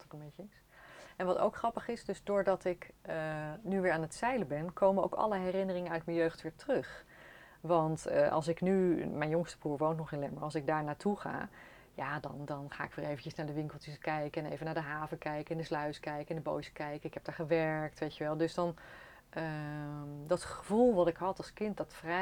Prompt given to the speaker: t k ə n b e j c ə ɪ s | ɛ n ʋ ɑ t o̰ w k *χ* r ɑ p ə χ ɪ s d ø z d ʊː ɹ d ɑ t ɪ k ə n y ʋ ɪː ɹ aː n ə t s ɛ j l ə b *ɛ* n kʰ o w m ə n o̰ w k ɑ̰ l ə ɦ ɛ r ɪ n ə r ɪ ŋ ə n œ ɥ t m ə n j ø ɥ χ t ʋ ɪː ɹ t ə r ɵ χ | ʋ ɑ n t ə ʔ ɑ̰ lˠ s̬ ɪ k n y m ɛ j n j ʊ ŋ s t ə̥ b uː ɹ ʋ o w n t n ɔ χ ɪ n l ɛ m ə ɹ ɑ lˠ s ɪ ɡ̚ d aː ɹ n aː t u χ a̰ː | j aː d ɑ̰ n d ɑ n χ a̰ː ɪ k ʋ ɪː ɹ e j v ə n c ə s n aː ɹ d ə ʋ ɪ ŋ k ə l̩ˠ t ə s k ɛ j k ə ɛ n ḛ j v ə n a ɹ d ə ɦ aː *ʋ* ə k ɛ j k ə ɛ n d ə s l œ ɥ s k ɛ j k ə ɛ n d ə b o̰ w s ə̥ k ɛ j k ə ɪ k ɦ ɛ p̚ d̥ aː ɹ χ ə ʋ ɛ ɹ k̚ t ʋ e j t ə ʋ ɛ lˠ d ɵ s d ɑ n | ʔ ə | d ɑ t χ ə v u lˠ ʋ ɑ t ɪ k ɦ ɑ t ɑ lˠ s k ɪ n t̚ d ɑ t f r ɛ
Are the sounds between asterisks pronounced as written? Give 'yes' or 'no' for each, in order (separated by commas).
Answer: yes, yes, no